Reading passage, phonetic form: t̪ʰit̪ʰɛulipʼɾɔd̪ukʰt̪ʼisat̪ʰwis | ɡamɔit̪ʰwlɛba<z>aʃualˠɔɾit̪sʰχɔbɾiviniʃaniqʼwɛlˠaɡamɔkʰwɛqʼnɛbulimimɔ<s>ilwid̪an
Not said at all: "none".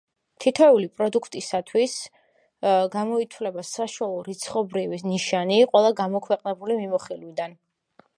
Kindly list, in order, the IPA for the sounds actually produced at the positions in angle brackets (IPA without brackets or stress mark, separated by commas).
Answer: s, χ